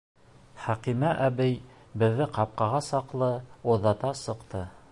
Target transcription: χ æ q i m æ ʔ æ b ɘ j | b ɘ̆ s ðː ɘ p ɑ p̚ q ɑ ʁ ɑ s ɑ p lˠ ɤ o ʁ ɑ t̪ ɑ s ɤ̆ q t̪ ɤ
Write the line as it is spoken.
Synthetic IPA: χ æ q i m æ ʔ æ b ɘ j | b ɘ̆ ðː ɘ q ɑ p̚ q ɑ ʁ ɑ s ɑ q lˠ ɤ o ð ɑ t̪ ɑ s ɤ̆ q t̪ ɤ